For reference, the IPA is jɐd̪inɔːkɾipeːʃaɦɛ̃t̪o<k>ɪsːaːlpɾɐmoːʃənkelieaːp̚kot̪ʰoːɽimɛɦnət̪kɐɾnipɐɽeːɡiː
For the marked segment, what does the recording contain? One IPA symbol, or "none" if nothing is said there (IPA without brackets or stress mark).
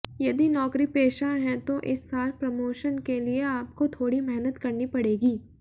ʔ